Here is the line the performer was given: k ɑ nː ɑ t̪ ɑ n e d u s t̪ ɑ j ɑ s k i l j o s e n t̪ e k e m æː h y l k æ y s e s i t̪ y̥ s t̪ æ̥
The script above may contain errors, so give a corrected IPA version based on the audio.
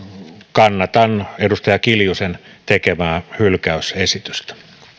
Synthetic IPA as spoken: k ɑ nː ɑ t̪ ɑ n e d u s t̪ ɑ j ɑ k i l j u s e n t̪ e k e m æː h y l k æ y s e s i t̪ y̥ s t̪ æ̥